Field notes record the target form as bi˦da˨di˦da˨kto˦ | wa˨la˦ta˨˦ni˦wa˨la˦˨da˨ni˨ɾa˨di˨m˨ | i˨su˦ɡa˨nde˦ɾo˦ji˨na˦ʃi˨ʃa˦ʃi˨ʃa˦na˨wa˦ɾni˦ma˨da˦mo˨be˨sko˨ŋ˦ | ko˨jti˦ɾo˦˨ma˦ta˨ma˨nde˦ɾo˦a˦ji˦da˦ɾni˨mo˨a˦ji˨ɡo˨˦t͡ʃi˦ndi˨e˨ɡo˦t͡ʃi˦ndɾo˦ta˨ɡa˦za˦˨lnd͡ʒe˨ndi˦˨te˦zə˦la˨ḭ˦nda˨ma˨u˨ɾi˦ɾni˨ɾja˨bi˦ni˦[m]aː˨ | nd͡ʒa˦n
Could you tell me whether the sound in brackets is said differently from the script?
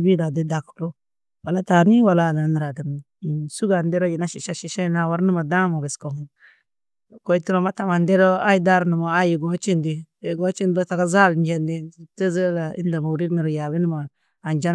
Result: no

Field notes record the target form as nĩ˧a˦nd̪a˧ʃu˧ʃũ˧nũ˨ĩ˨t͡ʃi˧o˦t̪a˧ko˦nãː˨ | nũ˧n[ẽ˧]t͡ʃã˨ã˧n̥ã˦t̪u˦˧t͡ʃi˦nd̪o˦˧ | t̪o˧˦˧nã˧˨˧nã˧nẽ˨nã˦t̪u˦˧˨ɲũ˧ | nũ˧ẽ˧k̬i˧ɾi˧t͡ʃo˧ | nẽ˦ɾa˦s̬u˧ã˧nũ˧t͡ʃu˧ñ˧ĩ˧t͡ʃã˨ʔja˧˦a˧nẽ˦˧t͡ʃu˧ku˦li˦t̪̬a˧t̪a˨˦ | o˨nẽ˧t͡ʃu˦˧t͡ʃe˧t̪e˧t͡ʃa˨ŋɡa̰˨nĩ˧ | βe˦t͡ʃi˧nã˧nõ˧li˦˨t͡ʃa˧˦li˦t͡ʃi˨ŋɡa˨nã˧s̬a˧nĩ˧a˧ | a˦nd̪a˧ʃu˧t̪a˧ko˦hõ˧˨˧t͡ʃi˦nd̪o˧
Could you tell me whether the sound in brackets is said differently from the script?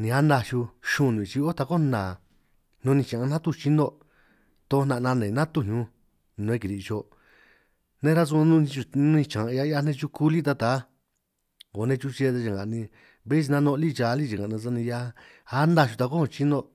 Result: yes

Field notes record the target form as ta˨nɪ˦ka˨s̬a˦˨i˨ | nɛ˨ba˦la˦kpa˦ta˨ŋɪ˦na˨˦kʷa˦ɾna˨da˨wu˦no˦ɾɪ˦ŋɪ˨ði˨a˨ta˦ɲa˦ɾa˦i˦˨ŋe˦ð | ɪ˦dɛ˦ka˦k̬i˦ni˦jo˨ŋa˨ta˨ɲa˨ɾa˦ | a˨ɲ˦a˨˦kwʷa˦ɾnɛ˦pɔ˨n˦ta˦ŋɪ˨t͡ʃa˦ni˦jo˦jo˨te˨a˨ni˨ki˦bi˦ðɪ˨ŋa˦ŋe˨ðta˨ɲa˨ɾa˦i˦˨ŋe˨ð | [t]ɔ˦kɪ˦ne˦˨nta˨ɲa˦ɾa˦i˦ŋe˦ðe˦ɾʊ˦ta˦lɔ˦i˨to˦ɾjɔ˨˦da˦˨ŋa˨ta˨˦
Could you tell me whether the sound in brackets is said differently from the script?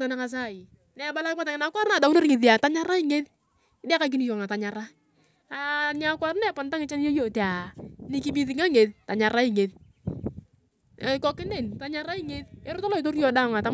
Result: yes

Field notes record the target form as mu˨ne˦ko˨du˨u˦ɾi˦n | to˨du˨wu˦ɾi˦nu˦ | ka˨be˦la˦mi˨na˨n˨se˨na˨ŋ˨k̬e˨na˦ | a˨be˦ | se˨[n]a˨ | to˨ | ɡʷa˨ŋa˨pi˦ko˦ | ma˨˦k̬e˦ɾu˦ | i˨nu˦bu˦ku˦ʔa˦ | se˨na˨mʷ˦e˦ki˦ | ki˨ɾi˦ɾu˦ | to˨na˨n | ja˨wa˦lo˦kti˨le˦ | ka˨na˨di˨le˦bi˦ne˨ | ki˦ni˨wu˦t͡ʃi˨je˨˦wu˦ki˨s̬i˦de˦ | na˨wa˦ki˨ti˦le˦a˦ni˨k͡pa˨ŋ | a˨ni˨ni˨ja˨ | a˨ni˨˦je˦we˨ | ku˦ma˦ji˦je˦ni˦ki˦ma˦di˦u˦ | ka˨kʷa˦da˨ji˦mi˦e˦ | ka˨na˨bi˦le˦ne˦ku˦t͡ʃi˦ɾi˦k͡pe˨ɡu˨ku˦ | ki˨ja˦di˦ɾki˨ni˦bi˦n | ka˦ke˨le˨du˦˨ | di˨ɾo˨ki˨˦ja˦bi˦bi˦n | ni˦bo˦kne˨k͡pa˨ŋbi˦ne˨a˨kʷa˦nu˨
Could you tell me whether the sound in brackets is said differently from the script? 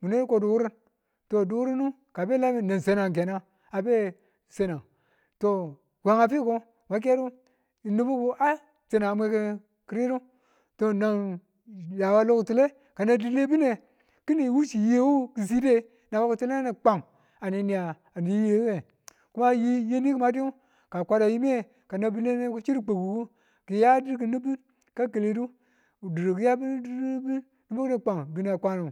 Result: no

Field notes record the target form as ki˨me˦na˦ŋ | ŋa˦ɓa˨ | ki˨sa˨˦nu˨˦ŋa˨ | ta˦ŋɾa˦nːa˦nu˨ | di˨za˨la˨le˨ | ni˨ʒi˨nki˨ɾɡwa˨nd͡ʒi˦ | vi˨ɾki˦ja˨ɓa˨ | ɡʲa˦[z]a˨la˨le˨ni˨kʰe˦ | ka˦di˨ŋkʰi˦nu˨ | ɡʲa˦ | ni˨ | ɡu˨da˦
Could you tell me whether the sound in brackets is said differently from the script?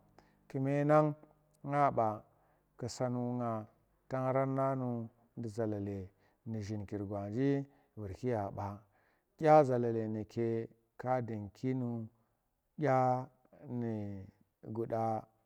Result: no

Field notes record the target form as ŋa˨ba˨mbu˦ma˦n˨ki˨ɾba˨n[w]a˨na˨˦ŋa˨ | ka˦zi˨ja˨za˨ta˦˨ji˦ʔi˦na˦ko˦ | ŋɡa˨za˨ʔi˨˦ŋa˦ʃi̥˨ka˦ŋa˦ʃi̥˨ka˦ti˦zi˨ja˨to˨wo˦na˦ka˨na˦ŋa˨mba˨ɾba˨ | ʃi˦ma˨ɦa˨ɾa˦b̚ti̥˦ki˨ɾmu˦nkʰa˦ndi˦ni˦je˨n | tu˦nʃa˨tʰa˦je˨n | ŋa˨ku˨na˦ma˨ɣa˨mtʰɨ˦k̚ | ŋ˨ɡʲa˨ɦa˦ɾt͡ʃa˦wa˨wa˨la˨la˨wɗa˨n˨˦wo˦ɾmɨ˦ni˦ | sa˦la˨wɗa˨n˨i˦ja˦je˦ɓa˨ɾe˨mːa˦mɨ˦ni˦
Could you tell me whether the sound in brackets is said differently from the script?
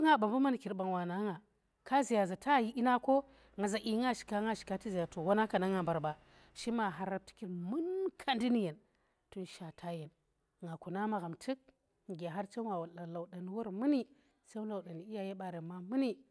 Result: no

